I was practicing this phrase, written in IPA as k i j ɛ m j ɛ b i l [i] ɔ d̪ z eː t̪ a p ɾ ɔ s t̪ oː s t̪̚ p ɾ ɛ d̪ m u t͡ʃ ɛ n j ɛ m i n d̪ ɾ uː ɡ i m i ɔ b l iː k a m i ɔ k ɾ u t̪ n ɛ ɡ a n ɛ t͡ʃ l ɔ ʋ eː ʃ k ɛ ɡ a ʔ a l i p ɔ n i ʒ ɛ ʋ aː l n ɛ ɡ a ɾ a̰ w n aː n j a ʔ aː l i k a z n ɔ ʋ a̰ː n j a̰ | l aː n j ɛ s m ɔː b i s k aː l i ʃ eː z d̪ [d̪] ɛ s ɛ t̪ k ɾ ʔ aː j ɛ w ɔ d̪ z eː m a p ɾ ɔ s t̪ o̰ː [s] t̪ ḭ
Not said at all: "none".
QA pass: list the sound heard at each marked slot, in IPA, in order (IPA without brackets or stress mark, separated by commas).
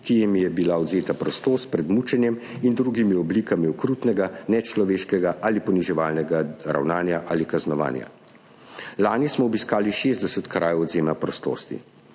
a, d̪, s